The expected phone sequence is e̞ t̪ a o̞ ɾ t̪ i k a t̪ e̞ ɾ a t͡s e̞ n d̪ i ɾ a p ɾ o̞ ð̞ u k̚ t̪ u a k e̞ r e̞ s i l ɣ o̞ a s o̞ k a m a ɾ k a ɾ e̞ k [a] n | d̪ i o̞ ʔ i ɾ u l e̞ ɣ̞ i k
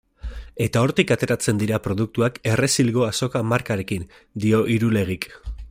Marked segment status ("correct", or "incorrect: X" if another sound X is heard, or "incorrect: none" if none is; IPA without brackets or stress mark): incorrect: i